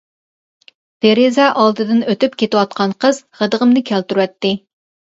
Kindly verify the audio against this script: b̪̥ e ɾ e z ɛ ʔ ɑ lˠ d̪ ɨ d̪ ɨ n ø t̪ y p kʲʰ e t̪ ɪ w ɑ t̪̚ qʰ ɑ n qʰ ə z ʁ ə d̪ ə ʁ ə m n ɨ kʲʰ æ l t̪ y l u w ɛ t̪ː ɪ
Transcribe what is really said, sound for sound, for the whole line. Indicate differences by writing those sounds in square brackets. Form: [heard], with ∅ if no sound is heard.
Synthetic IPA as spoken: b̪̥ e ɾ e z ɛ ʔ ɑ lˠ d̪ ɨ d̪ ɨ n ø t̪ y p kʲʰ e t̪ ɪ w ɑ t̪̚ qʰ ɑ n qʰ ə z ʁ ə d̪ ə ʁ ə m n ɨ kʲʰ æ l t̪ y [ɾ] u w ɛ t̪ː ɪ

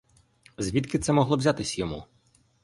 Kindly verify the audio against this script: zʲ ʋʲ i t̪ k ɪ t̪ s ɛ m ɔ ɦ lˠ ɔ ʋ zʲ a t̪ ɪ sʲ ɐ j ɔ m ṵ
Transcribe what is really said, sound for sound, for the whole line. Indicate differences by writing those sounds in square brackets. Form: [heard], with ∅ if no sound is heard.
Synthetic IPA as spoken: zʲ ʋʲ i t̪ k ɪ t̪ s ɛ m ɔ ɦ lˠ ɔ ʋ zʲ a t̪ ɪ sʲ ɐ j ɔ m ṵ

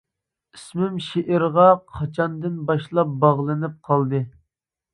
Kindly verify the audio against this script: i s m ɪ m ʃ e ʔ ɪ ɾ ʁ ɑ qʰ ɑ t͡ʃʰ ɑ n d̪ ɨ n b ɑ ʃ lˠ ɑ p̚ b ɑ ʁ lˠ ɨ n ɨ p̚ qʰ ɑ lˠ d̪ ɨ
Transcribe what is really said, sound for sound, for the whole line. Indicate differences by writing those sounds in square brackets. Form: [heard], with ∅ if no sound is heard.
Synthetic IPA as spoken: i s m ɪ m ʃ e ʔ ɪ ɾ ʁ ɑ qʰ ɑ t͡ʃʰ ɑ n d̪ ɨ n b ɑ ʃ lˠ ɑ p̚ b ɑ ʁ lˠ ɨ n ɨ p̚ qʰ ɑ lˠ d̪ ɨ

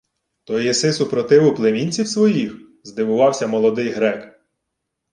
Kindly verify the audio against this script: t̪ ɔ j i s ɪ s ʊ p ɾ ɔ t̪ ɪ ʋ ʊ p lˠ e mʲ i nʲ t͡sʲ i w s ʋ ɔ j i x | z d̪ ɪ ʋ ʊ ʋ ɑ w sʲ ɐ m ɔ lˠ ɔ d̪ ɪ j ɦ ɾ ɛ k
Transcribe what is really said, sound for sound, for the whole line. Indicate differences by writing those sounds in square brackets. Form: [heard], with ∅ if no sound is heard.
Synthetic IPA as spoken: t̪ ɔ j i s ɪ s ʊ p ɾ ɔ t̪ ɪ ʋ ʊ p lˠ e mʲ i nʲ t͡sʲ i w s ʋ ɔ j i x | z d̪ ɪ ʋ ʊ ʋ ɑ w sʲ ɐ m ɔ lˠ ɔ d̪ ɪ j ɦ ɾ ɛ k

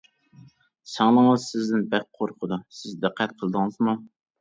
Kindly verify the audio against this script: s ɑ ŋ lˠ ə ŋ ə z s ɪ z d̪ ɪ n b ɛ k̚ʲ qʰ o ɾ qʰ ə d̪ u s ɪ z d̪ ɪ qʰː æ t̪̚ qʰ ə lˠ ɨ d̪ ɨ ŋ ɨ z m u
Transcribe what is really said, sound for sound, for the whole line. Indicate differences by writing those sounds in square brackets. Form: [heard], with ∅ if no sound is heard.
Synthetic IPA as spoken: s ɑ ŋ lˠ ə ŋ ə z s ɪ z d̪ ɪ n b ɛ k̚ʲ qʰ o ɾ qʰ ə d̪ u s ɪ z d̪ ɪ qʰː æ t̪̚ qʰ ə lˠ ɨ d̪ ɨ ŋ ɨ z m u

